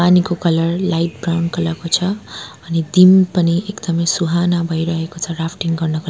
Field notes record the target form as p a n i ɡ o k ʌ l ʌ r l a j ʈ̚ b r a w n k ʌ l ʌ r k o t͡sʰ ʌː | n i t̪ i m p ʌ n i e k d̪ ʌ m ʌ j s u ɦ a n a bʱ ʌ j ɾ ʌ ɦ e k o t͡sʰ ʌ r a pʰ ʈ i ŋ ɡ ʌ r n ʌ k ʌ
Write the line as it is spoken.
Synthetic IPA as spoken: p a n i k o k ʌ l ʌ r l a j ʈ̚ b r a w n k ʌ l ʌ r k o t͡sʰ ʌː | n i d̪ i m p ʌ n i e k d̪ ʌ m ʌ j s u ɦ a n a bʱ ʌ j ɾ ʌ ɦ e k o t͡sʰ ʌ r a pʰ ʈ i ŋ ɡ ʌ r n ʌ k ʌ